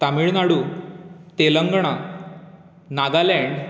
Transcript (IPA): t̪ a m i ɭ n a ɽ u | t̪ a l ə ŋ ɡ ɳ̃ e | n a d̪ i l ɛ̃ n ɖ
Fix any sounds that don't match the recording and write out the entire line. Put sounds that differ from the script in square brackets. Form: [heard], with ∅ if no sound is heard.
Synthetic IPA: t̪ a m i ɭ n a ɽ u | t̪ [e] l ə ŋ ɡ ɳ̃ [a] | n a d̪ [a] l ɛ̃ [ɳ] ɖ